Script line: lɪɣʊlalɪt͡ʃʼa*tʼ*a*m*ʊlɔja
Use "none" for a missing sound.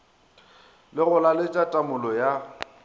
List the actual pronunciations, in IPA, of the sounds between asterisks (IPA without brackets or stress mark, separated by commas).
tʼ, m